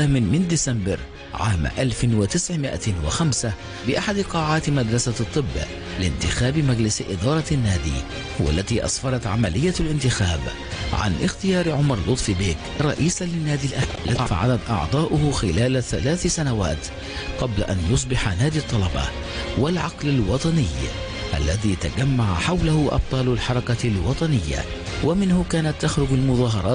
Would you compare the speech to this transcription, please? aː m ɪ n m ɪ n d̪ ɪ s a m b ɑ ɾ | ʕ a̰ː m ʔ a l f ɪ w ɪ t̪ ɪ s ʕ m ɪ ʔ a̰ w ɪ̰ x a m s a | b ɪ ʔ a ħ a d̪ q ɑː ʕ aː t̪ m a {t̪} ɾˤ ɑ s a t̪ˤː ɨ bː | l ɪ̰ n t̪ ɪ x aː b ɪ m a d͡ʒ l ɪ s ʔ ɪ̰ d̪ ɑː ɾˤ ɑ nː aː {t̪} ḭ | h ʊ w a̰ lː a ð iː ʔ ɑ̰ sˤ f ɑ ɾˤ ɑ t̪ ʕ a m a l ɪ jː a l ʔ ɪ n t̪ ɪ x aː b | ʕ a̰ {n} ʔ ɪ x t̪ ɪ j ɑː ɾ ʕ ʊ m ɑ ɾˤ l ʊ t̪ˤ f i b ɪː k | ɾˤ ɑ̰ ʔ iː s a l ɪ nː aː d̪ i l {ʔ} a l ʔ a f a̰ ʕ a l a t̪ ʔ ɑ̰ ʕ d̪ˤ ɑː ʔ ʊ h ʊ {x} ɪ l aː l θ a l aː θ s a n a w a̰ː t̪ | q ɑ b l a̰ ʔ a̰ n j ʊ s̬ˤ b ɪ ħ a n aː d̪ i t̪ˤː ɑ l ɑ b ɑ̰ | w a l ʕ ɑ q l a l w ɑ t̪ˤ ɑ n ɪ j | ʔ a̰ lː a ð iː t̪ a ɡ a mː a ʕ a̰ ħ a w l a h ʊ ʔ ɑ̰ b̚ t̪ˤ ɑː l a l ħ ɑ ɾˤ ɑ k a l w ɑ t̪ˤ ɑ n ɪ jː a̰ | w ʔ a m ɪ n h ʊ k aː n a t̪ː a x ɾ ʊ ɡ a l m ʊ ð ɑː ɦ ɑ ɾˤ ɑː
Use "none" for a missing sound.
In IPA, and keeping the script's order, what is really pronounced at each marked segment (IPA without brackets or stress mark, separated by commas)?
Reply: d̪, d̪, n, ʔ, x